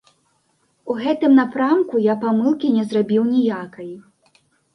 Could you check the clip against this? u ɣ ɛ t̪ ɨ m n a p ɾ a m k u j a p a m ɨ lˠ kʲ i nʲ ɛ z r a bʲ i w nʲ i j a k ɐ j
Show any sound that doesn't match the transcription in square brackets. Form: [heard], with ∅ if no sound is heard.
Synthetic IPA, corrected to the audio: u ɣ ɛ t̪ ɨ m n a p ɾ a m k u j a p a m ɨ lˠ kʲ i nʲ ɛ z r a bʲ i w nʲ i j a k ɐ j